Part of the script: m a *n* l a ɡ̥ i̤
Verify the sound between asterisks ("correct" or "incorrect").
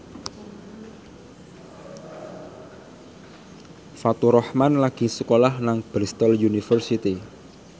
correct